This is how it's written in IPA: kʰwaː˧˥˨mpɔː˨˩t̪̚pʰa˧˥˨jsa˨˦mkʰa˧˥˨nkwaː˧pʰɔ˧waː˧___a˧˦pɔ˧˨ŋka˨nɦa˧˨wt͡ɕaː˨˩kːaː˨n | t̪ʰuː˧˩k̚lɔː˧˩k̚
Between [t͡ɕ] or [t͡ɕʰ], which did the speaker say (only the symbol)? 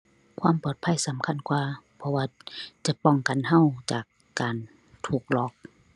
t͡ɕ